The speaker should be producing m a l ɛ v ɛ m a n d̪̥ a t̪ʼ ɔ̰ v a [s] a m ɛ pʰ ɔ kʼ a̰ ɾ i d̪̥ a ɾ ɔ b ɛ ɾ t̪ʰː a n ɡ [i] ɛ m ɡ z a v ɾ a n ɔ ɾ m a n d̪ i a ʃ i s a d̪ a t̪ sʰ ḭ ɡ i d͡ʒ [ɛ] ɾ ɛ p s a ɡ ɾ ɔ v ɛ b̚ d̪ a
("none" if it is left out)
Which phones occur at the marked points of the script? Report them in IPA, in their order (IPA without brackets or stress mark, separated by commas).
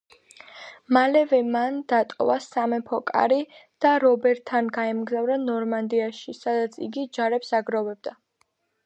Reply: s, a, a